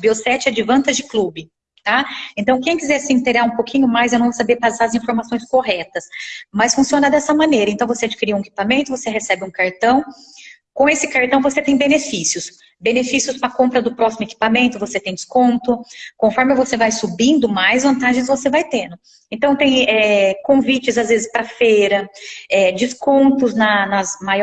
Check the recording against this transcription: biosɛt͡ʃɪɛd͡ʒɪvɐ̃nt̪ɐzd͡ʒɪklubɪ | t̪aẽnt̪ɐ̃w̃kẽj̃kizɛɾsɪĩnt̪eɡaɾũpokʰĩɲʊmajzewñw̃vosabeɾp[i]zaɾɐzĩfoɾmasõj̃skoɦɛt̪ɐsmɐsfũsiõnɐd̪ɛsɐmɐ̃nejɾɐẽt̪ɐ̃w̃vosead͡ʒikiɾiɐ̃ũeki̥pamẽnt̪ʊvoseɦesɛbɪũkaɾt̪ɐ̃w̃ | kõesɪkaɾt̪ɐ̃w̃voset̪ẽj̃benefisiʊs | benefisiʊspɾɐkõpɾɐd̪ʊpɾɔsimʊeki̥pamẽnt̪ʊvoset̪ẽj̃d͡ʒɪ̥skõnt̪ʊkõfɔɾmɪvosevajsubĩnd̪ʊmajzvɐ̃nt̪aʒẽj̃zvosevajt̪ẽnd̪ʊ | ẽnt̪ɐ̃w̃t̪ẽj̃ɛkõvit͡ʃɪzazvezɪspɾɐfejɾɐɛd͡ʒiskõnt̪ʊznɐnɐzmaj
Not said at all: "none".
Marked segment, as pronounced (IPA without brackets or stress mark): a